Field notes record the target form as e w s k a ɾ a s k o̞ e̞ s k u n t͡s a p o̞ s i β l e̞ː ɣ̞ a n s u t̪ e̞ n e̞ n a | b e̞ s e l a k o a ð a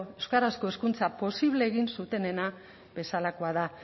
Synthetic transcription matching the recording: e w s k a ɾ a s k o̞ e̞ s k u n t͡s a p o̞ s i β l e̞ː ɣ̞ i n s u t̪ e̞ n e̞ n a | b e̞ s a l a k o a ð a